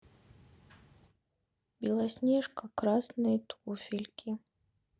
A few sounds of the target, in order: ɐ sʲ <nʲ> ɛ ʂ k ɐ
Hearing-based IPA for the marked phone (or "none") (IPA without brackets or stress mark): nʲ